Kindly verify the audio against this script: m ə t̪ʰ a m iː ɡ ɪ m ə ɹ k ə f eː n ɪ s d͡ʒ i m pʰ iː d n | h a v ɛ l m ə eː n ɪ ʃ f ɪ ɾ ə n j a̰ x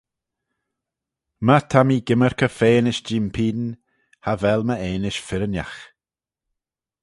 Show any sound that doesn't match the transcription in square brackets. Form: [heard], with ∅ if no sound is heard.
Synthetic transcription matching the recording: m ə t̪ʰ a m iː ɡ ɪ m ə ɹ k ə f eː n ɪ [ʃ] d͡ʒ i m pʰ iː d n | h a v ɛ l m ə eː n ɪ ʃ f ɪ ɾ ə n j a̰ x